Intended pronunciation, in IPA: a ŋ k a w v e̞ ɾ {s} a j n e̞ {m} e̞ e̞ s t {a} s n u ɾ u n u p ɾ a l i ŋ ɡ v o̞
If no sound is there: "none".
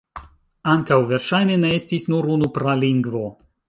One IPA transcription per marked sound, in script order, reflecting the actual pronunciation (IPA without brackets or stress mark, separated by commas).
ʃ, n, i